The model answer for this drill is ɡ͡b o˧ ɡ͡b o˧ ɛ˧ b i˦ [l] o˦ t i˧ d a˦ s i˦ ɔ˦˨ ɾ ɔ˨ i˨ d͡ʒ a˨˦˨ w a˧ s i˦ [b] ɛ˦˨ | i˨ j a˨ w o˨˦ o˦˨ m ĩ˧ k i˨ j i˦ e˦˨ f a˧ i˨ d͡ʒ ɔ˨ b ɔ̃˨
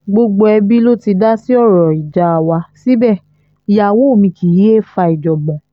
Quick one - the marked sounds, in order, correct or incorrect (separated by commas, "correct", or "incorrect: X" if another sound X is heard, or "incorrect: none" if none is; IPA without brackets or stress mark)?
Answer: correct, correct